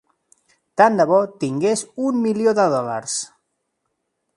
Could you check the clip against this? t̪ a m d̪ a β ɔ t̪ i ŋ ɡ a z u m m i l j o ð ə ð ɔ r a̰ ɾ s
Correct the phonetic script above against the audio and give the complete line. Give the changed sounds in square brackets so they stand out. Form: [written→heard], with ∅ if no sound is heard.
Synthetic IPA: t̪ a [m→n] d̪ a β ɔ t̪ i ŋ ɡ [a→e] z u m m i l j o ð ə ð ɔ [r→l] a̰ ɾ s